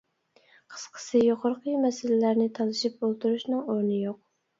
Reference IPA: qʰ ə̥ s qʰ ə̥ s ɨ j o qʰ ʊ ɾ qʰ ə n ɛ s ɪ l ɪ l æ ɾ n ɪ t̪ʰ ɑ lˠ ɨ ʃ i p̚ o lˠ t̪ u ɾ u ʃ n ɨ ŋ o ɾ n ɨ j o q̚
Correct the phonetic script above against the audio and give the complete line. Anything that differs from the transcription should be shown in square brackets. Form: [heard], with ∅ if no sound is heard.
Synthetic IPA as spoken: qʰ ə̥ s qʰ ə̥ s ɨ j o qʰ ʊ ɾ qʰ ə [m] ɛ s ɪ l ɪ l æ ɾ n ɪ t̪ʰ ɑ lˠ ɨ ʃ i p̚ o lˠ t̪ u ɾ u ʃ n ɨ ŋ o ɾ n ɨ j o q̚